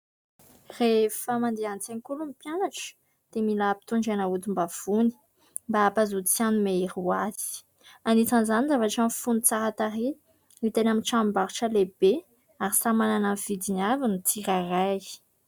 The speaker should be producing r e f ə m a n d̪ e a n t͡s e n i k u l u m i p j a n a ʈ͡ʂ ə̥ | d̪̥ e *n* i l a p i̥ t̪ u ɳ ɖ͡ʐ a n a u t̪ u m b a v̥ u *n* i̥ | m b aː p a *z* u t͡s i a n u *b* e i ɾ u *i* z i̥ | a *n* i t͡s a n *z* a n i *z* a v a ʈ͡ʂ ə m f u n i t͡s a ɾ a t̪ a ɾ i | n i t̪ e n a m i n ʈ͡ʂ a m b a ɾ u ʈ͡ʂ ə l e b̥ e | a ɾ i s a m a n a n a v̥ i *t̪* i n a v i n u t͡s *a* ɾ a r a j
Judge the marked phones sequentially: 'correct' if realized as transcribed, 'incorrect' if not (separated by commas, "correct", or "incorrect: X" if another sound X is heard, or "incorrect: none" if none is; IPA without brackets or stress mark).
incorrect: m, correct, correct, incorrect: m, incorrect: a, correct, correct, correct, incorrect: d̪, incorrect: i